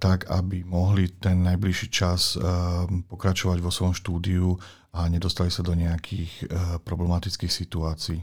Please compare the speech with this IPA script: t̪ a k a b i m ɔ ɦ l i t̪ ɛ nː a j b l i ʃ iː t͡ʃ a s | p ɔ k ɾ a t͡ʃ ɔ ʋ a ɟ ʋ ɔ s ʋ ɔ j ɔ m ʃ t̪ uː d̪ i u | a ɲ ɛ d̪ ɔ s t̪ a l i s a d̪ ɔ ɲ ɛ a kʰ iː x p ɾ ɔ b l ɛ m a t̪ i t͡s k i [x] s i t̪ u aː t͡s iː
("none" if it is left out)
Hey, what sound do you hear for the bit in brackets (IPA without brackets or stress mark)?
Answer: x